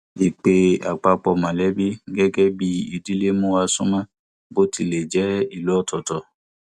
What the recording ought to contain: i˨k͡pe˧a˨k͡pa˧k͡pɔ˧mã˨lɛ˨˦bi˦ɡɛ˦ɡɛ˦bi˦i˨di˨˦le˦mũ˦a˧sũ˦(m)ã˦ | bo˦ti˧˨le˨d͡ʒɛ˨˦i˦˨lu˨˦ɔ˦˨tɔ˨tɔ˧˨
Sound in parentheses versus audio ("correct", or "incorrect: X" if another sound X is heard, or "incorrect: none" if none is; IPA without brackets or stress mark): correct